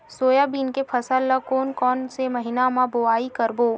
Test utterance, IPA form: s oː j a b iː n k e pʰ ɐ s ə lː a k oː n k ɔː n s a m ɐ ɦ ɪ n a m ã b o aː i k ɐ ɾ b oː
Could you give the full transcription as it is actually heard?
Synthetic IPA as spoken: s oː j a b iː n k e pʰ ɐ s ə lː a k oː n k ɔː n s e m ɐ ɦ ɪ n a m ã b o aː i k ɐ ɾ b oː